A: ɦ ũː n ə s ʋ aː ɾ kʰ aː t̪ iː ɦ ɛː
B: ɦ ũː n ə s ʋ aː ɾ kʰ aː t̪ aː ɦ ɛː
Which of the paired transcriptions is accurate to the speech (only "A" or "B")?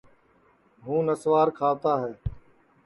B